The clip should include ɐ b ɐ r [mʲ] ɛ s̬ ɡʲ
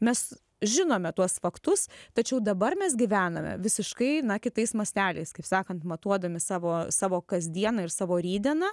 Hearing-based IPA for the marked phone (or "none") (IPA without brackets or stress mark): mʲ